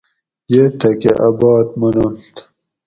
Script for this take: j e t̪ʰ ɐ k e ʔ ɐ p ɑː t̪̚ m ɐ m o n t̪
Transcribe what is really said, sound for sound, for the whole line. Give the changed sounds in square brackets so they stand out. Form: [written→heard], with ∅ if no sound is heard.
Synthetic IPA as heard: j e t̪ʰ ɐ k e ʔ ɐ [p→b] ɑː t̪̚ m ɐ [m→n] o n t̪